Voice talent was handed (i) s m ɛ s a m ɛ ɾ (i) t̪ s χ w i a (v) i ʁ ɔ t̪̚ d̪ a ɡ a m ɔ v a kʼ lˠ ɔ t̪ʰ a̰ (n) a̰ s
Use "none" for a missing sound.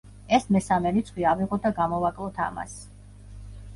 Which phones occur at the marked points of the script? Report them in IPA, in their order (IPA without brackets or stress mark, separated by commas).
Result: ɛ, i, v, m